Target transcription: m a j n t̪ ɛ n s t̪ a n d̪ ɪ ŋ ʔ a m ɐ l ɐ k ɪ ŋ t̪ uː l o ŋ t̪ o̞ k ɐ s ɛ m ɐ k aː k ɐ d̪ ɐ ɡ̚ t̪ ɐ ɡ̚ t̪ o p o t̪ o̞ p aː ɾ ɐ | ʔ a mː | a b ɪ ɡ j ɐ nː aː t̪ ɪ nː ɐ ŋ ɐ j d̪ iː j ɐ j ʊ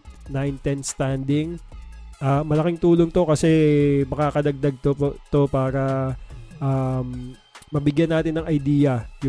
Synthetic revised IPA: n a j n t̪ ɛ n s t̪ a n d̪ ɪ ŋ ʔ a m ɐ l ɐ k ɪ ŋ t̪ uː l o ŋ t̪ o̞ k ɐ s ɛ m ɐ k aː k ɐ d̪ ɐ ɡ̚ d̪ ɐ ɡ̚ t̪ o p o t̪ o̞ p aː ɾ ɐ | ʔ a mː | ɐ b ɪ ɡ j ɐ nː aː t̪ ɪ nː ɐ ŋ ɐ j d̪ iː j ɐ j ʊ